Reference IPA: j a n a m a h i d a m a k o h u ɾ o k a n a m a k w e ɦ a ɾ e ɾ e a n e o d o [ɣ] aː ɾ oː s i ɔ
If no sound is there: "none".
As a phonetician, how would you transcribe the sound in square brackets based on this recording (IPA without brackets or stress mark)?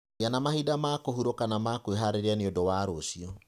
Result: w